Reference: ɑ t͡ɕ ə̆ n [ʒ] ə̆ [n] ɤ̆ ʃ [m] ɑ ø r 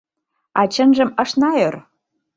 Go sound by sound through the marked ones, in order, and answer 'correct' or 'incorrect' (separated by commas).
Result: correct, incorrect, incorrect